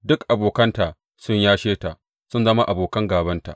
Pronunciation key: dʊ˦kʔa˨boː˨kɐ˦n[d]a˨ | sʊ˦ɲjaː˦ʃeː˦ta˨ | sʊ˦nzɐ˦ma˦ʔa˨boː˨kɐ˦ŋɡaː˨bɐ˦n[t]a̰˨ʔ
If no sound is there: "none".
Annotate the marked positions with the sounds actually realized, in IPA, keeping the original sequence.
t, t

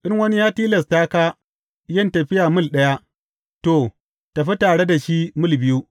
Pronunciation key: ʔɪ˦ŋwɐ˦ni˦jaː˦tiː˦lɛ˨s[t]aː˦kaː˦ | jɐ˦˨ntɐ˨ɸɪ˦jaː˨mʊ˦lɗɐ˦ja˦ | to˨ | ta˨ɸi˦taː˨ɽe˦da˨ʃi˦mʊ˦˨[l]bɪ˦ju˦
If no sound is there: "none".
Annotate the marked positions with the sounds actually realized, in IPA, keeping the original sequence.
t, l

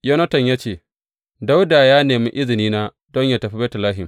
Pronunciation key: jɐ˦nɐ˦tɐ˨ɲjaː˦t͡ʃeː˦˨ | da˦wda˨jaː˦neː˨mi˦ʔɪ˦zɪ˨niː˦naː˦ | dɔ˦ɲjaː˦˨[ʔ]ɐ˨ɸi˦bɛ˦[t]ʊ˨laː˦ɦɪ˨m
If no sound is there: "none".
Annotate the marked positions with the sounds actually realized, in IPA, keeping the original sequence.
t, t

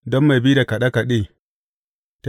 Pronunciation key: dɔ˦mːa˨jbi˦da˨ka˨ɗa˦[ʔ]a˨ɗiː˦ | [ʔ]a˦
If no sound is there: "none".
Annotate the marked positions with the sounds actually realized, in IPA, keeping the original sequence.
k, t

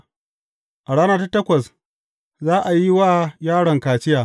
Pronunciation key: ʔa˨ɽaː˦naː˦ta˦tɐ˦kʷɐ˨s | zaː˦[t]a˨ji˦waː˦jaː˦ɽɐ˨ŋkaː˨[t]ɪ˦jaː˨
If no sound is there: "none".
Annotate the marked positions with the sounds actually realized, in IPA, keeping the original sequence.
ʔ, t͡ʃ

